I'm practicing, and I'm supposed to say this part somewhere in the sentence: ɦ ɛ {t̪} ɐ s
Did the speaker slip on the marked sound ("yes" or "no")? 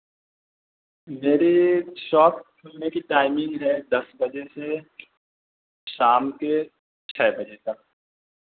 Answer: yes